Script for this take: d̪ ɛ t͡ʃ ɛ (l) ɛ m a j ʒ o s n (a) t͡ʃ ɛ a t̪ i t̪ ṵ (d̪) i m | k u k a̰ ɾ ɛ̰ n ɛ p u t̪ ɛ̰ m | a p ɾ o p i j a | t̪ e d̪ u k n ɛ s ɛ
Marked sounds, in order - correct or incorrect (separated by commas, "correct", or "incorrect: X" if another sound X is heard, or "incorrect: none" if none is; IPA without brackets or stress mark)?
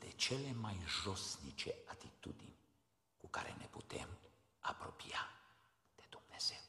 correct, incorrect: i, correct